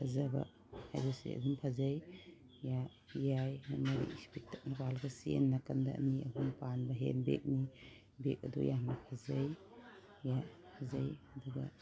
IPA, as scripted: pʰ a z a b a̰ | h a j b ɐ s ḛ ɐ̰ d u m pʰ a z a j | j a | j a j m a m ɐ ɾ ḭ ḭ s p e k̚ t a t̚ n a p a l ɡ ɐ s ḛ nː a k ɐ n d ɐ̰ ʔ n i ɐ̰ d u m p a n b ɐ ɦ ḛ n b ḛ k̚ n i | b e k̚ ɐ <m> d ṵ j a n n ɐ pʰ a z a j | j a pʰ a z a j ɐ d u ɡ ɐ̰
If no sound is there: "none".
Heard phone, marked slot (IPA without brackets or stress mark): none